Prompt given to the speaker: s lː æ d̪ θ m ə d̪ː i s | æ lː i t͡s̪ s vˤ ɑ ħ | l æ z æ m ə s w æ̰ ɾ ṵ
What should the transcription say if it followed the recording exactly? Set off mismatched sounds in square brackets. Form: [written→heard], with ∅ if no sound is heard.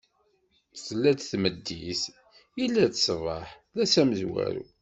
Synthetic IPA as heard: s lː æ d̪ θ m ə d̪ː i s | [æ→i] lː [i→æ] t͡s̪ s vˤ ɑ ħ | l æ [z→s] æ m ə [s→z] w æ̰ ɾ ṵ